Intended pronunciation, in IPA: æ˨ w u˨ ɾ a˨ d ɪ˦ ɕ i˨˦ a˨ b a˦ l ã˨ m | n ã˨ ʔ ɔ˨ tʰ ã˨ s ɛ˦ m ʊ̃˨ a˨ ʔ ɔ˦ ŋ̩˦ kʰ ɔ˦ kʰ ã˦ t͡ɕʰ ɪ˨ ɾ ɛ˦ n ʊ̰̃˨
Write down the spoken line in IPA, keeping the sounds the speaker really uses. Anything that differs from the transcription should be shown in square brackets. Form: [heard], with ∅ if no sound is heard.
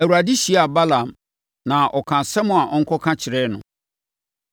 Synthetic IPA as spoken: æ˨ w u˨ ɾ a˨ d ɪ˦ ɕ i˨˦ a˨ b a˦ l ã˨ m | n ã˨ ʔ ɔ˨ [kʰ] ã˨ s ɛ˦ m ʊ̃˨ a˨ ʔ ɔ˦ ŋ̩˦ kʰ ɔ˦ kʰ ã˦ t͡ɕʰ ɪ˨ ɾ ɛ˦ n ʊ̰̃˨